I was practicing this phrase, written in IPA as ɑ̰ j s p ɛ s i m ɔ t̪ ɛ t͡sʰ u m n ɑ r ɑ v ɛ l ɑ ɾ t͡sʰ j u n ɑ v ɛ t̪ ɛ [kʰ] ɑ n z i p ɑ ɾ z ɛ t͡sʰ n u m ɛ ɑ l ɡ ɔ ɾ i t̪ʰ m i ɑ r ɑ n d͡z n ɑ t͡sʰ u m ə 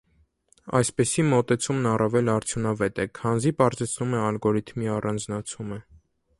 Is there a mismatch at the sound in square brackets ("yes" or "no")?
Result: no